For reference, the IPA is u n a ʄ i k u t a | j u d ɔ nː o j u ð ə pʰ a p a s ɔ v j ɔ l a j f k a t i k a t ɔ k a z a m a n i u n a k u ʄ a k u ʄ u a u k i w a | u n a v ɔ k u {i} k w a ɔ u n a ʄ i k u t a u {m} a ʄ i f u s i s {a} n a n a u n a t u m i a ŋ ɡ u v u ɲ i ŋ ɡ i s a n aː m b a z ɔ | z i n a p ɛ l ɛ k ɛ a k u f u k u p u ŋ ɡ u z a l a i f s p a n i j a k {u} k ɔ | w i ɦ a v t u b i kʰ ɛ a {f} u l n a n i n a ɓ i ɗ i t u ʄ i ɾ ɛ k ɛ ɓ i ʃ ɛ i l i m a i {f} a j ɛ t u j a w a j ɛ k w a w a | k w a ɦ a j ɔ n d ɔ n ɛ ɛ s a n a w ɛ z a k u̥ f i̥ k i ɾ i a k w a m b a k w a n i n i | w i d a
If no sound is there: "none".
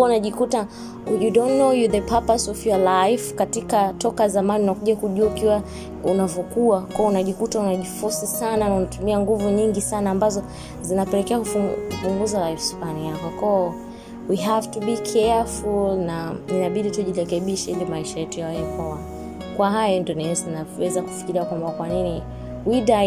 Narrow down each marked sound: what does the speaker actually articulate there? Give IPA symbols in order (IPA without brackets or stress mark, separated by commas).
a, n, a, ɔ, f, ʃ